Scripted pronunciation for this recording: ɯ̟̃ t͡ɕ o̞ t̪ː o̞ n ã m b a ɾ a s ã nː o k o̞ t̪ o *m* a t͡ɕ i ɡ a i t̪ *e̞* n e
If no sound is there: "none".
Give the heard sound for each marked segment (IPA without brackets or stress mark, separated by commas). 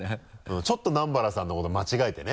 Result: m, e̞